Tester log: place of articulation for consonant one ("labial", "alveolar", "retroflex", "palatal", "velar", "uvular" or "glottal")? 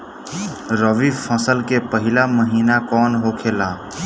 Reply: alveolar